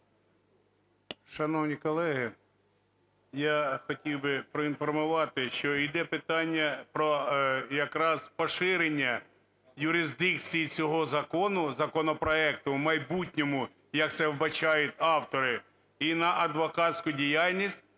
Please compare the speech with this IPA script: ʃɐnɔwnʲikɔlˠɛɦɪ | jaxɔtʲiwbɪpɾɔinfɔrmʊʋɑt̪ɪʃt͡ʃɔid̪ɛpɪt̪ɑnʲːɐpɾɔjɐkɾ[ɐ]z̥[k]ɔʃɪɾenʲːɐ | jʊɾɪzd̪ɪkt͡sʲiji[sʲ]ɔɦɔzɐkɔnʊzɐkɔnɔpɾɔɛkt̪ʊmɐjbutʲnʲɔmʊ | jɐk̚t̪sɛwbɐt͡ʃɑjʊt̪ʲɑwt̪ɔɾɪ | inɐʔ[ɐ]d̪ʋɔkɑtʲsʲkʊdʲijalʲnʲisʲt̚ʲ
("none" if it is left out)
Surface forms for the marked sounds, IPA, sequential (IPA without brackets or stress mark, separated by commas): ɑ, p, t͡sʲ, ɐ